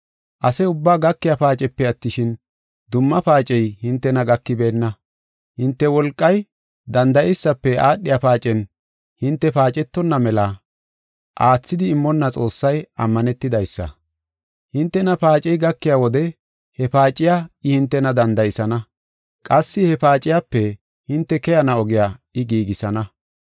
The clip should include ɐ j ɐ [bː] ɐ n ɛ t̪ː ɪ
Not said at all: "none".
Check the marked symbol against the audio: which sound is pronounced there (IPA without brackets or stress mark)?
mː